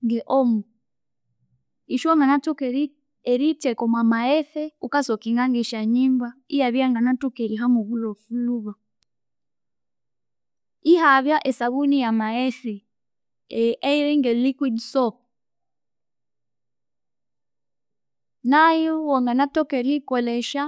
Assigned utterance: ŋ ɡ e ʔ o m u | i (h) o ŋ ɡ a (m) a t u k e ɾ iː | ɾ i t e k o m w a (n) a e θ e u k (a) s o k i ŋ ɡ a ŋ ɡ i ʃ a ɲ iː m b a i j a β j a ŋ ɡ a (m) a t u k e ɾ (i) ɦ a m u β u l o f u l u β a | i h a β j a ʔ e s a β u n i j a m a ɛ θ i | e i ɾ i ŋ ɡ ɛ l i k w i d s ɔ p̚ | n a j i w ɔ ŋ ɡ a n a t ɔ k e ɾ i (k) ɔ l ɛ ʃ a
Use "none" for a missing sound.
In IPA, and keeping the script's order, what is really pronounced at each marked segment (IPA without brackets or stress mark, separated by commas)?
ʃ, n, m, a, n, i, k